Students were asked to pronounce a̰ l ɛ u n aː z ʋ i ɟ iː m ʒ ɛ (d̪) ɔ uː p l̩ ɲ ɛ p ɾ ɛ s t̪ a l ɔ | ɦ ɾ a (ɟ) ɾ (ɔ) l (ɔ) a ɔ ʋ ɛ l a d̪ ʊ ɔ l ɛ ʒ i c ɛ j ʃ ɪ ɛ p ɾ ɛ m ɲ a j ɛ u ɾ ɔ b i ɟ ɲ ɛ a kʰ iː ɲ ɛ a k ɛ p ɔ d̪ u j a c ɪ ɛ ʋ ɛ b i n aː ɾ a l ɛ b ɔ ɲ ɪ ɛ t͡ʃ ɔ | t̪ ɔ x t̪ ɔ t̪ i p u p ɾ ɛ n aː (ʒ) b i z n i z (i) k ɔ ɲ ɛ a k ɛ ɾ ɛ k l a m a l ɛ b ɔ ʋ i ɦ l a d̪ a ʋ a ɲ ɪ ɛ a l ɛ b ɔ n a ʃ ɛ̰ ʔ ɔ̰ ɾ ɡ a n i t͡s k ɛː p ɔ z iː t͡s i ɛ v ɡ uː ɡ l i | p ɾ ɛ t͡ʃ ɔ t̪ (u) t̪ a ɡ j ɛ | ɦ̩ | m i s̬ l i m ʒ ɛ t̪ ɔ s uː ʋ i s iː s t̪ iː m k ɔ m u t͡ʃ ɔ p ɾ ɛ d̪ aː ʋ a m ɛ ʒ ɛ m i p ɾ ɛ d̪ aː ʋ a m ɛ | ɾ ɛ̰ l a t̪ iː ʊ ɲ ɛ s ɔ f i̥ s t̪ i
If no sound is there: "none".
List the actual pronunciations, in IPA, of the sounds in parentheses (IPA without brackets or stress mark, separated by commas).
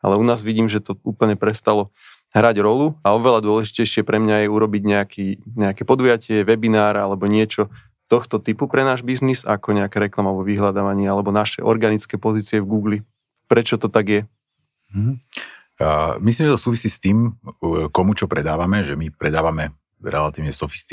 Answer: t̪, ɟ, ɔ, u, ʒ, a, ɔ